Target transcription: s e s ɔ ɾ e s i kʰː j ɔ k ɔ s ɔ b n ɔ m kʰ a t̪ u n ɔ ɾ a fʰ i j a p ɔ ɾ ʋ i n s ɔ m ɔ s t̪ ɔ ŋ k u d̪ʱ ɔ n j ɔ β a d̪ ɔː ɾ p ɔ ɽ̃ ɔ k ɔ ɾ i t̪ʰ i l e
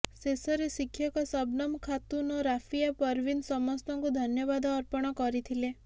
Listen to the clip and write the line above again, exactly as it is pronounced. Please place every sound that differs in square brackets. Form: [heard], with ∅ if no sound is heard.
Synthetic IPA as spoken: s e s ɔ ɾ e s i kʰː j ɔ k ɔ s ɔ b n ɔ m kʰ a t̪ u n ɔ ɾ a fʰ i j a p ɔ ɾ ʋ i n s ɔ m ɔ s t̪ ɔ ŋ k u d̪ʱ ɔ n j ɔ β a d̪ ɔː ɾ p ɔ ɽ̃ ɔ k ɔ ɾ i t̪ʰ i l e